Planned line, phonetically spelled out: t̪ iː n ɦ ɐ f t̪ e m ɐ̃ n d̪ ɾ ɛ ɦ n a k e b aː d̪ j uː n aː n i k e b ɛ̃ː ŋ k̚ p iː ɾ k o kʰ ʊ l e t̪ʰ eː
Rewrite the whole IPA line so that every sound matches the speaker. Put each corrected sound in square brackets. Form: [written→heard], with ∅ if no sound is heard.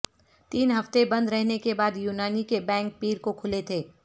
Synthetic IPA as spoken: t̪ iː n ɦ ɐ f t̪ e [m→b] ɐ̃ n d̪ ɾ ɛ ɦ n [a→e] k e b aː d̪ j uː n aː n i k e b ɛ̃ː ŋ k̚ p iː ɾ k o kʰ ʊ l e t̪ʰ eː